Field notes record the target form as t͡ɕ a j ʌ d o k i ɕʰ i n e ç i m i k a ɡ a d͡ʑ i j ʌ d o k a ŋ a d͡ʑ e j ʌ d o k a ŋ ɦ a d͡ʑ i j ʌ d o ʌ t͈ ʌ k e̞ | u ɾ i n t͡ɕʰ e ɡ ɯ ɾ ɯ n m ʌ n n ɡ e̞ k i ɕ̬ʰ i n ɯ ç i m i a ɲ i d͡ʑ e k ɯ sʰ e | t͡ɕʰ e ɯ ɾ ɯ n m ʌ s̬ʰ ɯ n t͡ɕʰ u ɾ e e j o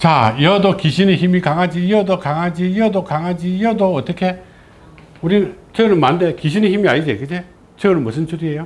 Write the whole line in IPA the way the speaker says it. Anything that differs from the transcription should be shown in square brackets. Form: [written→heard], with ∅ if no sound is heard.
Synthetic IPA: t͡ɕ a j ʌ d o k i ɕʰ i n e ç i m i k a [ɡ→ŋ] a d͡ʑ i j ʌ d o k a ŋ a d͡ʑ [e→i] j ʌ d o k a ŋ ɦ a d͡ʑ i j ʌ d o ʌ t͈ ʌ [k→kʰ] e̞ | u ɾ i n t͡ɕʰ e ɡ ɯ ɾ ɯ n m [ʌ→a] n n [ɡ→d] e̞ k i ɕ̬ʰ i n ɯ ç i m i a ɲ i d͡ʑ e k ɯ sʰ e | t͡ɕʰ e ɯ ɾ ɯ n m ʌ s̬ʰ ɯ n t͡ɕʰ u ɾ [e→i] e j o